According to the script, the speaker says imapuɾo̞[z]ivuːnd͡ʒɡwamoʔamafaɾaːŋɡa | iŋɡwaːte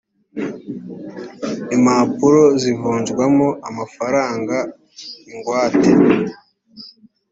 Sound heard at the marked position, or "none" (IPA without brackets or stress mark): z